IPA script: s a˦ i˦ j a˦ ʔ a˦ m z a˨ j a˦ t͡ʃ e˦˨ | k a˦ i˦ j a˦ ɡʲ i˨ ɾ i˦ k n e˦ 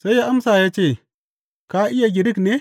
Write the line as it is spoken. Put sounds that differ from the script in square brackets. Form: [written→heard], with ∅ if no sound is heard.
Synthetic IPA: s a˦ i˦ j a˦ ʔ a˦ m [z→s] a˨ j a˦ t͡ʃ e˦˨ | k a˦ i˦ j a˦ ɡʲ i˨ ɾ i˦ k n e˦